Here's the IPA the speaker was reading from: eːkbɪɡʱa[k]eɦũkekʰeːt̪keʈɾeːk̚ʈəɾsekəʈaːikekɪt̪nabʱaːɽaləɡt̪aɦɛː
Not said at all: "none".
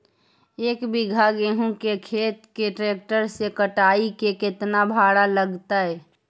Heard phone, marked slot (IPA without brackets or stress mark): ɡ